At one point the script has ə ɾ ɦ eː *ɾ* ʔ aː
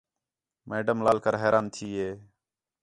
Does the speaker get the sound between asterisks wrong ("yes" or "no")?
no